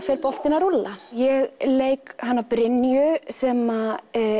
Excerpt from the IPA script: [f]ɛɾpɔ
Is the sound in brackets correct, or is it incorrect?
correct